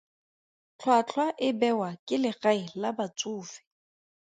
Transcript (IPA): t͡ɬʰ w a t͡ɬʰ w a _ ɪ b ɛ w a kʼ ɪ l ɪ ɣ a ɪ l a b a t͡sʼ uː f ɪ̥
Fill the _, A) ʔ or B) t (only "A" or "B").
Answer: A